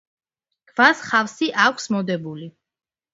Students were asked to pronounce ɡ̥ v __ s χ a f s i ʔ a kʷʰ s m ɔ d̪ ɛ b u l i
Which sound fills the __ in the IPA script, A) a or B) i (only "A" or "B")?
A